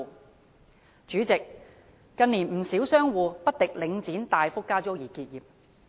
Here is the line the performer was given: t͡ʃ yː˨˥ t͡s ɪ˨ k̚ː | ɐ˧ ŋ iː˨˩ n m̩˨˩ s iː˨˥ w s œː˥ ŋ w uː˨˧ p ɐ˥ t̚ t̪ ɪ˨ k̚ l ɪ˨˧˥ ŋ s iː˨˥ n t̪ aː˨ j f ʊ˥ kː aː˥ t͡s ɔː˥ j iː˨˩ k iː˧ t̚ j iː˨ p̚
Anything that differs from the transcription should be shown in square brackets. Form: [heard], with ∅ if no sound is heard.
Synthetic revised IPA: t͡ʃ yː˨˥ t͡s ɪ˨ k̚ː | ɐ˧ [n] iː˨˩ n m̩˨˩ s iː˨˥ w s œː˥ ŋ w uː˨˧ p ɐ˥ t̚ t̪ ɪ˨ k̚ l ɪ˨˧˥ ŋ [t͡s] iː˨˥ n t̪ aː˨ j f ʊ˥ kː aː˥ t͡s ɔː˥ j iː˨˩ k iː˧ t̚ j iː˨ p̚